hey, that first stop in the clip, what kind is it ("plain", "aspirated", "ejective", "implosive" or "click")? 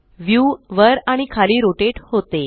aspirated